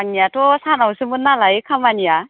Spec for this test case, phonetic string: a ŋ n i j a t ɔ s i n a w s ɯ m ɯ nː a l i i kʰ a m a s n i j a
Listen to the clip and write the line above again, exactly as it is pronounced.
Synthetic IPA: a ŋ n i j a t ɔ s a n a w s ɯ m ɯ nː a l a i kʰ a m a n i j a